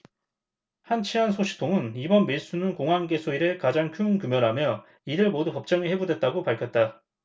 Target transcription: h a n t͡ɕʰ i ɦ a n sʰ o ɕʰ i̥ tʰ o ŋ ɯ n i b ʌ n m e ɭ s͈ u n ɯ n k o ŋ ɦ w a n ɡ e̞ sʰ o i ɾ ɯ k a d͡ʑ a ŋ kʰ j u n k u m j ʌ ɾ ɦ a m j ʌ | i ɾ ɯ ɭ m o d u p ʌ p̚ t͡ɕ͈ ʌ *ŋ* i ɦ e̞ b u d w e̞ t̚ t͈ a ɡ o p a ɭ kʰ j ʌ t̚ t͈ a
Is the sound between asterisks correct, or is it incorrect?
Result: correct